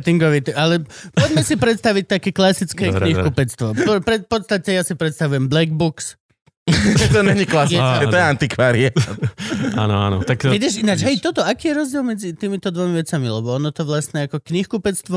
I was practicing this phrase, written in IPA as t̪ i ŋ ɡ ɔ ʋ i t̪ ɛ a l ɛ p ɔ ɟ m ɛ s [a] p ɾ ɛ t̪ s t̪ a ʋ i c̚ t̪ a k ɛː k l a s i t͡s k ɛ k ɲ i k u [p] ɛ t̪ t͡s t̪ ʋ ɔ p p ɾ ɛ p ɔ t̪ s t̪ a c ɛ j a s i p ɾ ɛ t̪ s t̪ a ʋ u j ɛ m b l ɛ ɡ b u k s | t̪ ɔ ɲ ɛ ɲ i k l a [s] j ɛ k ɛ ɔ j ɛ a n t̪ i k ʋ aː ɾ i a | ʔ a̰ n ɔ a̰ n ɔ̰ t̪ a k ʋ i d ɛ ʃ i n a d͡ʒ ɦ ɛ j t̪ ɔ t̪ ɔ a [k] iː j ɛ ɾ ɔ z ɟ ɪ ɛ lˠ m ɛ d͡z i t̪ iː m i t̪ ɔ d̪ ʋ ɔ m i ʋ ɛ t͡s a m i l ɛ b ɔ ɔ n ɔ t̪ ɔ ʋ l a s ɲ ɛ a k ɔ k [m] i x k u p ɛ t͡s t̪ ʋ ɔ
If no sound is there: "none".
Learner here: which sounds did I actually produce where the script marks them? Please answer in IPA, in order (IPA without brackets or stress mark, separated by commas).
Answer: i, p, s, k, ɲ